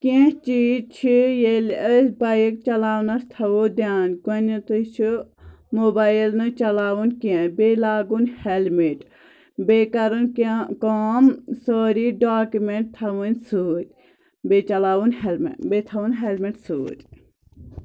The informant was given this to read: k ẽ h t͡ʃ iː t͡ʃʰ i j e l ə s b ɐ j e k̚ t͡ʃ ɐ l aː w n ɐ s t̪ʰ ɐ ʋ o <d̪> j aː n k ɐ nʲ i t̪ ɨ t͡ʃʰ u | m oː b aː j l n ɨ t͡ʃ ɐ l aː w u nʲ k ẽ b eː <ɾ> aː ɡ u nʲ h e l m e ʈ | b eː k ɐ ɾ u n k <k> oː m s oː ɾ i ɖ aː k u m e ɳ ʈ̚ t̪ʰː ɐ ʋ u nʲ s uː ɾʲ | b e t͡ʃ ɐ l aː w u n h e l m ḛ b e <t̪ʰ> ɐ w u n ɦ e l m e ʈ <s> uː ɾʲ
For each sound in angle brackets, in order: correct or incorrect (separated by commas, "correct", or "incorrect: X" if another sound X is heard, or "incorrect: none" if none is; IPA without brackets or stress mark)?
correct, incorrect: l, correct, correct, correct